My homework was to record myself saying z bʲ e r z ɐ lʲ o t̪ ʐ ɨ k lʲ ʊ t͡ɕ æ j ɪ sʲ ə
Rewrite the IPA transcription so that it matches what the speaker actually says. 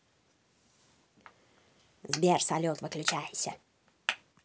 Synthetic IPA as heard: z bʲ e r s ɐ lʲ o t̪ v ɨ k lʲ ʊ t͡ɕ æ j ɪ sʲ ə